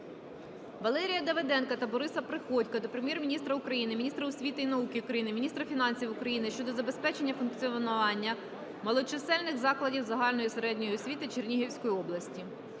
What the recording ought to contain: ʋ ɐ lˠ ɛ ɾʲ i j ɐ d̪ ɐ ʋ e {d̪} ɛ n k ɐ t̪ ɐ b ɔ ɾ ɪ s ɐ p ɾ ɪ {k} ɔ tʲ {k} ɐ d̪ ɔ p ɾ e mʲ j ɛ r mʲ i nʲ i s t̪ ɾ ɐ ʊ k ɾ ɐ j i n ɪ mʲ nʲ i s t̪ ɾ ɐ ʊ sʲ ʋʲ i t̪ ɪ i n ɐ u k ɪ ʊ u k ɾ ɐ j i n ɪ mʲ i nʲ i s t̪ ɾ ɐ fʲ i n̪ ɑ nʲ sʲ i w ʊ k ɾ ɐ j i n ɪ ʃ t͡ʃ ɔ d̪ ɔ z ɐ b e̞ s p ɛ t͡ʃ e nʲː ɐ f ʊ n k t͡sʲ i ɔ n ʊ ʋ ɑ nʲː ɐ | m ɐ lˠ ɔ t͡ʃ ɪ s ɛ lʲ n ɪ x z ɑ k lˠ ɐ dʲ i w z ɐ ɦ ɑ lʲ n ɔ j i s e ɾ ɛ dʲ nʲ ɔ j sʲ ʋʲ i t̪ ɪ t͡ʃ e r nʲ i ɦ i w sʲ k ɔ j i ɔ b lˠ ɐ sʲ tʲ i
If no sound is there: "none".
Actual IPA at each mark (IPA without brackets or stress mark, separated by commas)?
d̪, x, k